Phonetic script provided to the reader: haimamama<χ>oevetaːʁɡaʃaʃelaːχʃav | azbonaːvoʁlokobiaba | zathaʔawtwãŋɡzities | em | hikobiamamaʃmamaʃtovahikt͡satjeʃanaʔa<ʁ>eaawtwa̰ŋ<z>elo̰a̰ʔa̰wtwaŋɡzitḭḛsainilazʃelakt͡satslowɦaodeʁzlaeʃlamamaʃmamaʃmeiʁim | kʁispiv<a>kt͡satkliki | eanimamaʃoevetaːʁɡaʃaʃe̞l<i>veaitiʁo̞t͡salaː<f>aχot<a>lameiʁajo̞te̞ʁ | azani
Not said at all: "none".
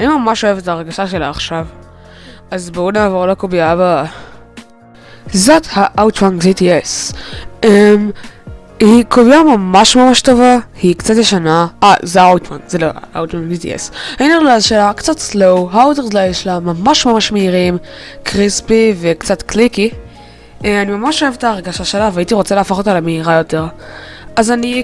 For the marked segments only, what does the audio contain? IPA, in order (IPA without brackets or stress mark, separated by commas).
ʃ, z, z, e, a, f, a